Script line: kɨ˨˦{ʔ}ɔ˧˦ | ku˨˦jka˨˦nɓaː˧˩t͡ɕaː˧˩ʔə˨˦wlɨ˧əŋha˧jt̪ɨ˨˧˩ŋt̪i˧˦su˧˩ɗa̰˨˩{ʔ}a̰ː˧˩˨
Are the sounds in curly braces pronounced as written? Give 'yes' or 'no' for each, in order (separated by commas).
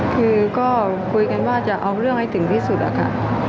no, no